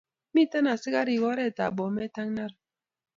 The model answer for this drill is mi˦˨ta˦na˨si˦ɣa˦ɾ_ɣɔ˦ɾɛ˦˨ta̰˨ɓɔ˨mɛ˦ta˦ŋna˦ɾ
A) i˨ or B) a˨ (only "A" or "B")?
A